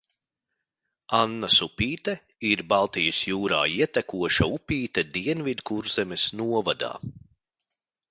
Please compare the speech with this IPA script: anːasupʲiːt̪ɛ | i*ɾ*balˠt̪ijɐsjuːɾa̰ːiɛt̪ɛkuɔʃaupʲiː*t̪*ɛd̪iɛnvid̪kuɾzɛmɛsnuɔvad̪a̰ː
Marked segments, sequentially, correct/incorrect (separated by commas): correct, correct